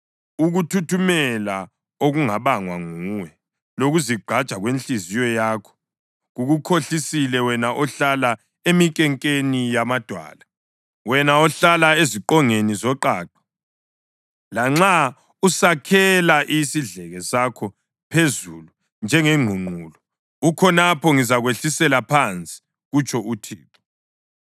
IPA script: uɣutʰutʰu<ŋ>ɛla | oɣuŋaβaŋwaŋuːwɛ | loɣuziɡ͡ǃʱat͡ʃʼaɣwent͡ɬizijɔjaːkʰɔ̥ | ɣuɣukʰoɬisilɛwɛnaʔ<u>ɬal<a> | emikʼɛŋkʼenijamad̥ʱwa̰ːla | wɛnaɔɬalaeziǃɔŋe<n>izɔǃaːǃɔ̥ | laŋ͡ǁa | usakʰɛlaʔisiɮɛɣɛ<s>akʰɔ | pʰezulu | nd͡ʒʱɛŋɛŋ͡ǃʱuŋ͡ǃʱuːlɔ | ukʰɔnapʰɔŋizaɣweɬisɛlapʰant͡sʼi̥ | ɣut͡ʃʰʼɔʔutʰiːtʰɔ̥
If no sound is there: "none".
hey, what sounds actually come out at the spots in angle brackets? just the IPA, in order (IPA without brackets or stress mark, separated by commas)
m, ɔ, a, n, s